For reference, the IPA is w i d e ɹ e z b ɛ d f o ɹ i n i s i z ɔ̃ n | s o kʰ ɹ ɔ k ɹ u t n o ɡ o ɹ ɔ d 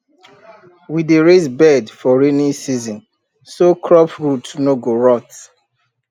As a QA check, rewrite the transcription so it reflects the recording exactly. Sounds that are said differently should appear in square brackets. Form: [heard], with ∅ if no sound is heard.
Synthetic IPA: w i d e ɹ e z b ɛ d f [ɔ] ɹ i n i s i z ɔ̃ n | s o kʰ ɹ ɔ [p] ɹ u t n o ɡ o ɹ ɔ [t]